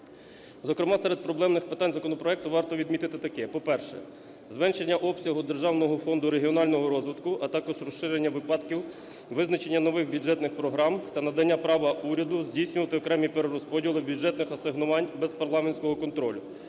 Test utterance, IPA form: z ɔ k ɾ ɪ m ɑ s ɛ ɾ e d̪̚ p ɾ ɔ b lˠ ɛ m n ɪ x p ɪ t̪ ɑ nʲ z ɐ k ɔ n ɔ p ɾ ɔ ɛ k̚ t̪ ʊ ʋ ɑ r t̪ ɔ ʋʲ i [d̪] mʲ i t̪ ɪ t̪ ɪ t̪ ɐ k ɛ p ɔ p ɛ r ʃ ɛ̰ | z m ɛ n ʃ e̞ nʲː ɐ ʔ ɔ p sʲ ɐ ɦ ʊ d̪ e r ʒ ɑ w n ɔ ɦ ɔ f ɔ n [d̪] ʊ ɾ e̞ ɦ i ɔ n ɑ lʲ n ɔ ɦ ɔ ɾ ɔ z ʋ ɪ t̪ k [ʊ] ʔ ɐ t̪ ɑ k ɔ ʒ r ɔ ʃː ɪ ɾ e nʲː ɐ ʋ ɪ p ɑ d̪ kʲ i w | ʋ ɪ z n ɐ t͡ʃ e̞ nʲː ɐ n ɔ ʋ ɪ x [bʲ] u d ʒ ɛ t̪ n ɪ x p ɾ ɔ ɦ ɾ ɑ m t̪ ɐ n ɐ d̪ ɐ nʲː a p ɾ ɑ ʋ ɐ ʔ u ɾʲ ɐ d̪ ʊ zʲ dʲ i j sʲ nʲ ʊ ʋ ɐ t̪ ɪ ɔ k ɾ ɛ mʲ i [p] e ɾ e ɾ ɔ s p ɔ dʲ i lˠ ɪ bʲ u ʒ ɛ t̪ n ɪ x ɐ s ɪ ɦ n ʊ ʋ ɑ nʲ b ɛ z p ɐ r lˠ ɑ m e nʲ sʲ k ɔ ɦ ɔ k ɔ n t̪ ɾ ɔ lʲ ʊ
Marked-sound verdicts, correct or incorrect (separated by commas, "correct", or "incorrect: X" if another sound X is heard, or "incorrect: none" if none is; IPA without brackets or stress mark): correct, correct, correct, correct, correct